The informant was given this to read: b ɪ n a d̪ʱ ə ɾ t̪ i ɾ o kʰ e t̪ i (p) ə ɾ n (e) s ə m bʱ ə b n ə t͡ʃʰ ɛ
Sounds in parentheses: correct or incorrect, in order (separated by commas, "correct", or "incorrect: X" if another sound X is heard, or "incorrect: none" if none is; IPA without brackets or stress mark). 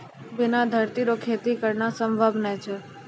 incorrect: k, incorrect: a